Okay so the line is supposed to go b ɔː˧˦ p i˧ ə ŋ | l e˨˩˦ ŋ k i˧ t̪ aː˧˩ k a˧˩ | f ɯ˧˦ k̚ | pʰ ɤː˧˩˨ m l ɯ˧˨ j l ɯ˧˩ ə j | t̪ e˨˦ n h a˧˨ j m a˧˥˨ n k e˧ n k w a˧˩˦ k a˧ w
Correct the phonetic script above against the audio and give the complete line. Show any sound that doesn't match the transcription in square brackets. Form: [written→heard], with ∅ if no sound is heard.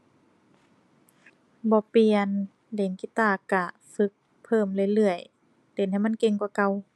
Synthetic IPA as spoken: b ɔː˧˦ p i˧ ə [ŋ→n] | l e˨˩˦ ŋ k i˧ t̪ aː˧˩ k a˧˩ | f ɯ˧˦ k̚ | pʰ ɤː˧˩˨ m l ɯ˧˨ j l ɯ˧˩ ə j | t̪ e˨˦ n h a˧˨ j m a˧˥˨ n k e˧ [n→ŋ] k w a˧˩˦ k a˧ w